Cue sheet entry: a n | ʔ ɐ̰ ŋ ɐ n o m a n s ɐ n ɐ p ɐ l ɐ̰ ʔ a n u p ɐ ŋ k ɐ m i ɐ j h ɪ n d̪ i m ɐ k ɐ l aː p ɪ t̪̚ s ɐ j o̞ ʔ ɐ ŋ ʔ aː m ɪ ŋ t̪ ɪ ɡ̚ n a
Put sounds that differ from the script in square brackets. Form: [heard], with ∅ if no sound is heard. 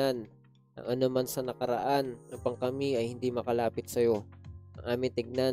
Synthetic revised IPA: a n | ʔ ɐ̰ ŋ ɐ n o m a n s ɐ n ɐ [k] ɐ [ɾ] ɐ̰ ʔ a n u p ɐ ŋ k ɐ m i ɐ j h ɪ n d̪ i m ɐ k ɐ l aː p ɪ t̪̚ s ɐ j o̞ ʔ ɐ ŋ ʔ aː m ɪ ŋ t̪ ɪ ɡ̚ n a